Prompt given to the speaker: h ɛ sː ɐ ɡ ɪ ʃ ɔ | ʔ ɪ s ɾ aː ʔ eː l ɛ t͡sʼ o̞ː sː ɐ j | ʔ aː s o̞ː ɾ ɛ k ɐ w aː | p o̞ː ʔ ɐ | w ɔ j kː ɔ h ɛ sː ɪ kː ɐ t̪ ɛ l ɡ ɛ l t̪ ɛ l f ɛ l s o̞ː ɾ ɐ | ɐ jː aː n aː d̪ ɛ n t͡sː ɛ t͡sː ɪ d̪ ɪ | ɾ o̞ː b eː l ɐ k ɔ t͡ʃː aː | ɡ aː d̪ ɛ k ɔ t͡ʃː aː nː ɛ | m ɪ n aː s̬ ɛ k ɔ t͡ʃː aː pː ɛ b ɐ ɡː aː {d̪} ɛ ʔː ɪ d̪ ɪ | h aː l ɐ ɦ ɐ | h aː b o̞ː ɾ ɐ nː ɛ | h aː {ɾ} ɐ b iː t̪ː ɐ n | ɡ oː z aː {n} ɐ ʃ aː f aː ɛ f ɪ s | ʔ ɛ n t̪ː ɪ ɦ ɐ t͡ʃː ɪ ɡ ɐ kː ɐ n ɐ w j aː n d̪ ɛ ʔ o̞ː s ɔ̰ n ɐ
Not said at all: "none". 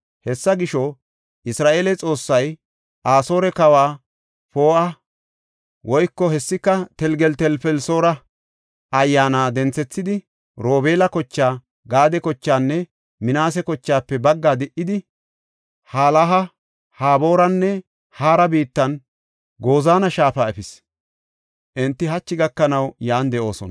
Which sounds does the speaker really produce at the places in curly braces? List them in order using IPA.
d̪, ɾ, n

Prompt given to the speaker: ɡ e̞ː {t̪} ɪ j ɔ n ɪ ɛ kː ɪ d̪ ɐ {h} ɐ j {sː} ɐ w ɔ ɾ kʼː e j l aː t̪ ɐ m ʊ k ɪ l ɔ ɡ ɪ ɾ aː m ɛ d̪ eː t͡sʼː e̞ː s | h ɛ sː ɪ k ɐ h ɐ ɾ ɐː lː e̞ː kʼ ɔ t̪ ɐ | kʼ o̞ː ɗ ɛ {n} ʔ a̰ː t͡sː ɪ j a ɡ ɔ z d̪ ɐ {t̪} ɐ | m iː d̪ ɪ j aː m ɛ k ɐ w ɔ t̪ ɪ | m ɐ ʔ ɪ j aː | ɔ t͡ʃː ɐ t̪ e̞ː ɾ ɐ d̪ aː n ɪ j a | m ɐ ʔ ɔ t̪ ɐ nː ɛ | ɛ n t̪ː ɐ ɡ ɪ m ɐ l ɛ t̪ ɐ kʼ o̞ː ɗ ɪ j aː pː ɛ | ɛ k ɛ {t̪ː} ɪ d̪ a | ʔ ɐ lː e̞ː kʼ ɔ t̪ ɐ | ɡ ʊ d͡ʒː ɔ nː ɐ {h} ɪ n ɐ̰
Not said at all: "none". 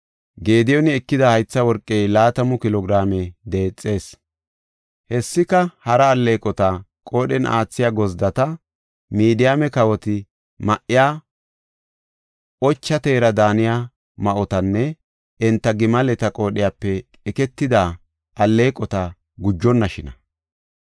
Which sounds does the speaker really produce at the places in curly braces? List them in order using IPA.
d̪, h, t͡sː, n, t̪, t̪ː, ʃ

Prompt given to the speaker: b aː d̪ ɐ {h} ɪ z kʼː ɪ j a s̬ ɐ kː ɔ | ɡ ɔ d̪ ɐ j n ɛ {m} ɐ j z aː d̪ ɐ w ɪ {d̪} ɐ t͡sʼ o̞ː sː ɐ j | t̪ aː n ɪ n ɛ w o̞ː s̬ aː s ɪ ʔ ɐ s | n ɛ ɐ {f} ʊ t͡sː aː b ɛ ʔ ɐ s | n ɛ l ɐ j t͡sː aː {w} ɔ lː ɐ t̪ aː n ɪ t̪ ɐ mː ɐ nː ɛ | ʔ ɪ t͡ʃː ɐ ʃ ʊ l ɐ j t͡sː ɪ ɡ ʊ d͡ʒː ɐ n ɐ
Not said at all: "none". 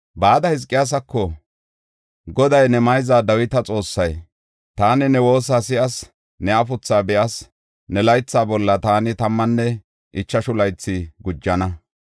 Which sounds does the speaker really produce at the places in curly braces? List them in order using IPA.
h, m, t̪, f, b

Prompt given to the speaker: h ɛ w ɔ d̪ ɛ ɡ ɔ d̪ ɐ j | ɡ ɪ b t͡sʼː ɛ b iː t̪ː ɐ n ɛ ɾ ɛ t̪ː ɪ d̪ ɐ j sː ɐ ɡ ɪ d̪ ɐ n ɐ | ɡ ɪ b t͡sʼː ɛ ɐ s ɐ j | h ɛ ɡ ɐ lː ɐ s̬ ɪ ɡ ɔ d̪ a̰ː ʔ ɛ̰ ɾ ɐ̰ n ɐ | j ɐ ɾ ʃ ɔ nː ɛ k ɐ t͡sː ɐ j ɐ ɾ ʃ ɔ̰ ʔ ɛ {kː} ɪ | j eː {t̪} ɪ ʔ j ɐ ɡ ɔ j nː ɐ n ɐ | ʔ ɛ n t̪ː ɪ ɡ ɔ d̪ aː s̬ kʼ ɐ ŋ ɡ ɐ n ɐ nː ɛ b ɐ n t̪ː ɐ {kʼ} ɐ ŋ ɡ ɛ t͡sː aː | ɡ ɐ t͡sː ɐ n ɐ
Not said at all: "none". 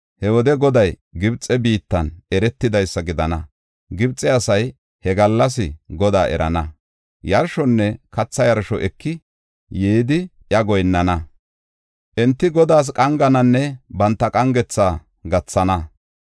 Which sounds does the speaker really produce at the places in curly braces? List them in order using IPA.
kː, d̪, kʼ

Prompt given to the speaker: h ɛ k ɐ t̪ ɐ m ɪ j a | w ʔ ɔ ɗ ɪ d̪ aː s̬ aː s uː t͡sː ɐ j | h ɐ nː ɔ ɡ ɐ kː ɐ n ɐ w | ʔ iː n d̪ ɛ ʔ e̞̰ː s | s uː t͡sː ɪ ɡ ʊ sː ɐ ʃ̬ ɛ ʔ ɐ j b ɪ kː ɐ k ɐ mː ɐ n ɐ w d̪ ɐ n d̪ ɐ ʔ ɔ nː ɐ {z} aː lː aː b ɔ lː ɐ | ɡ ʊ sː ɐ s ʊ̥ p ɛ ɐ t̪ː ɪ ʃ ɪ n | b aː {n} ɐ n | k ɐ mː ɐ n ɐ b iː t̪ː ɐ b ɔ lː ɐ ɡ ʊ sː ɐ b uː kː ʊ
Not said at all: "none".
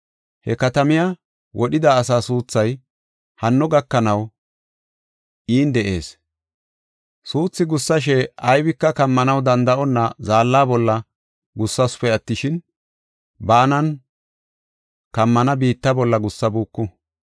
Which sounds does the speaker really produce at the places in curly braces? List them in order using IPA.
z, n

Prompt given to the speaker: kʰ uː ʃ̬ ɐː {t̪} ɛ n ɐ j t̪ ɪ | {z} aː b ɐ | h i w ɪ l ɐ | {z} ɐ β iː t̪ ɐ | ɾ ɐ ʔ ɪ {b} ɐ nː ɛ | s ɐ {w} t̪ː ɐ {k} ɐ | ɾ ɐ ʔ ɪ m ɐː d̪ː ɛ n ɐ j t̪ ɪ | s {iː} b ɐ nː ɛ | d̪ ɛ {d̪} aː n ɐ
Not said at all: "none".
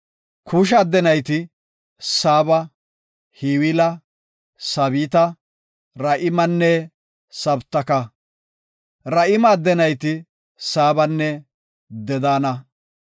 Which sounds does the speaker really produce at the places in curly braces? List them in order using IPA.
d̪, s, s, m, b, k, aː, d̪

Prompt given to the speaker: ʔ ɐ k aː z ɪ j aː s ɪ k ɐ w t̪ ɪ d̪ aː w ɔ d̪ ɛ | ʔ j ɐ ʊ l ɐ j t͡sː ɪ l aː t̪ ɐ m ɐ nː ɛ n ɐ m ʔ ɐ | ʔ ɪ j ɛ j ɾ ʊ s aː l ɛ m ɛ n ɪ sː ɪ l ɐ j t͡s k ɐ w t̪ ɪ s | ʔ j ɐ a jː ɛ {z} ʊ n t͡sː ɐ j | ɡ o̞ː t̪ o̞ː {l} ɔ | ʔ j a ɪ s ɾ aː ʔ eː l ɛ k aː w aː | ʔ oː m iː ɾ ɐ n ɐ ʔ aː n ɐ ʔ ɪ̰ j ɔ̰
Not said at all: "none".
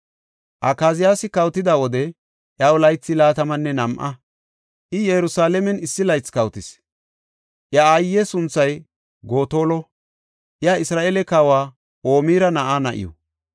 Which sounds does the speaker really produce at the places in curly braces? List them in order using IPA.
s, l

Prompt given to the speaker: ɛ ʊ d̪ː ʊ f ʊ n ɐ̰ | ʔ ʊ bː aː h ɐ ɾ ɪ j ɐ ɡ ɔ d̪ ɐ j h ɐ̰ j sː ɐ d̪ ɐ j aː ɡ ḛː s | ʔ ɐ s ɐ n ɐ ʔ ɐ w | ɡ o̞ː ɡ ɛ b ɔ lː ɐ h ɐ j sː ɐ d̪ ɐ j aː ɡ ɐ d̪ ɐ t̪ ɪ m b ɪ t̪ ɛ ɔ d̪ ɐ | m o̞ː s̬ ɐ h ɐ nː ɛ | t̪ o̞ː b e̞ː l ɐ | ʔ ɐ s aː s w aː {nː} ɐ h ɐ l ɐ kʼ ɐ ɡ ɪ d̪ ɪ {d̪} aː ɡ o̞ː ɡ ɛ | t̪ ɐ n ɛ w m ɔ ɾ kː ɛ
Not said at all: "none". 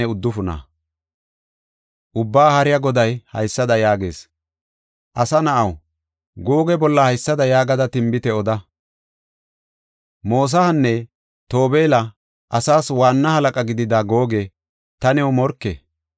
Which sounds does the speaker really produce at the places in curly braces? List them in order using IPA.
nː, d̪

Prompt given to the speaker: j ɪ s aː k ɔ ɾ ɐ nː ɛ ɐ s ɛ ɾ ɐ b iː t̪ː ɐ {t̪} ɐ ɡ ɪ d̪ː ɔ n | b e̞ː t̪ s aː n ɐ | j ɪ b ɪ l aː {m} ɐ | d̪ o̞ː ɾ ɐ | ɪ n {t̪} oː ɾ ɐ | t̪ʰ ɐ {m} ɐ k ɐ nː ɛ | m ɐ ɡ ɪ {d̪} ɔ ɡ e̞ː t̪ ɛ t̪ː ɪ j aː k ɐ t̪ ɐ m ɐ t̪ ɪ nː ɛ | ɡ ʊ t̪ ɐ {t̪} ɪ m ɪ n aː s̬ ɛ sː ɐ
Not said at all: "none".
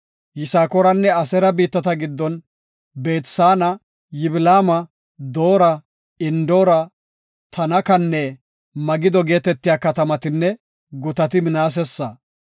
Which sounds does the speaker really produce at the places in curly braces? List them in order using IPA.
t̪, m, d̪, n, d̪, t̪

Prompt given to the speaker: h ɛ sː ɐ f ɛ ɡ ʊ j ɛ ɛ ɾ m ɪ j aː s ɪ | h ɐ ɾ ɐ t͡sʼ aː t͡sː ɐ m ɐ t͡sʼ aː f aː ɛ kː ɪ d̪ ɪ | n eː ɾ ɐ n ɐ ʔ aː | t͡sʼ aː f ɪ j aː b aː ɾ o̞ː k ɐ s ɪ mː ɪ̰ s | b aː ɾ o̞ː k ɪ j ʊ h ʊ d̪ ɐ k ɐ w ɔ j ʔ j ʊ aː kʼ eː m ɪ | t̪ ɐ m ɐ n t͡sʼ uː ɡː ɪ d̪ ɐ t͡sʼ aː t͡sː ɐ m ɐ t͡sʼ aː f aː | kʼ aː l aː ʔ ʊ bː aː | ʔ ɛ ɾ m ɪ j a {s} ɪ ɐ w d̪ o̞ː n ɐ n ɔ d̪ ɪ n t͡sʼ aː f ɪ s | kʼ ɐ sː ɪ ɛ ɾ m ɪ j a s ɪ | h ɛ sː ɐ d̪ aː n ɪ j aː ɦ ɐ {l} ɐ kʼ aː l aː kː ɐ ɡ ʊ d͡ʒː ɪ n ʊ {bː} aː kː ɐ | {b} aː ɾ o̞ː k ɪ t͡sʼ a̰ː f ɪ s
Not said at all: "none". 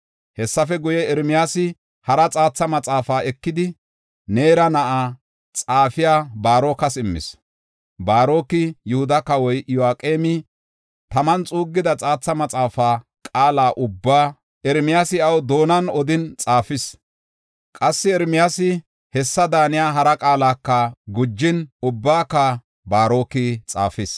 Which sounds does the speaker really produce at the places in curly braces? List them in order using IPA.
s, ɾ, bː, b

